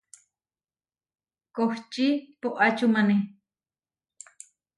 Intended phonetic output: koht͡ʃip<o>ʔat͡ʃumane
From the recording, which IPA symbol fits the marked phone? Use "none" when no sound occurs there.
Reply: o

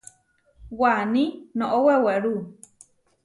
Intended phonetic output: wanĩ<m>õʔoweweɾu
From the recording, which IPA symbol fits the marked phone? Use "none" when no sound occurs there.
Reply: n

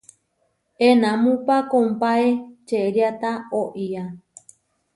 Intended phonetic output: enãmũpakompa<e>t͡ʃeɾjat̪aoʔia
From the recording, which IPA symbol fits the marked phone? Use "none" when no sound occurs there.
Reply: e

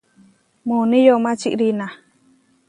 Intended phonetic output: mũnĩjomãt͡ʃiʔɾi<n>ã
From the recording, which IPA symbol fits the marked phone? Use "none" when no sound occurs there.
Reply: n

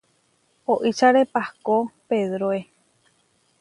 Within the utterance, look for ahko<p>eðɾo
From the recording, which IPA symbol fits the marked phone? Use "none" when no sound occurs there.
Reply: p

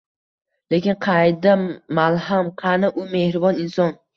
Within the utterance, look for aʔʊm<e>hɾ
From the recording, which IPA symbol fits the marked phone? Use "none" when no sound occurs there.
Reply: e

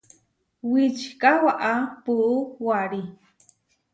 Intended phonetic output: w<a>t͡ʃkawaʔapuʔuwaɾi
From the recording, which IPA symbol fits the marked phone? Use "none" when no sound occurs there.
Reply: i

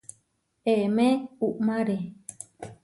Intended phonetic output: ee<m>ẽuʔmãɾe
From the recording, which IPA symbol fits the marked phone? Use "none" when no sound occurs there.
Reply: m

